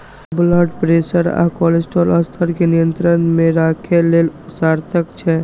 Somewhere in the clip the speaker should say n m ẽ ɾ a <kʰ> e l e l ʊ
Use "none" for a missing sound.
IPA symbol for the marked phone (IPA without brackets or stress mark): kʰ